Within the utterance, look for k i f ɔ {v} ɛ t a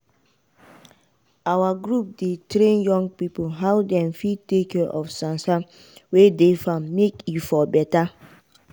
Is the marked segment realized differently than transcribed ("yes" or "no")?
yes